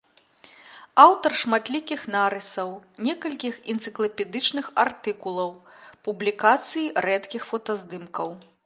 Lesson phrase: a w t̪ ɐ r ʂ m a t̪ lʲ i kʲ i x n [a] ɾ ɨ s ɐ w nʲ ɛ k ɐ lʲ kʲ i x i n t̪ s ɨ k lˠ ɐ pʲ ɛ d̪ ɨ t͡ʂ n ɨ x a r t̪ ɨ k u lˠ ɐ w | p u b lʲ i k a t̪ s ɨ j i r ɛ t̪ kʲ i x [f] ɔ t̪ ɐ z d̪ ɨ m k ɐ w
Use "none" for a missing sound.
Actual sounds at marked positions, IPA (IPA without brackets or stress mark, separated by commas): a, f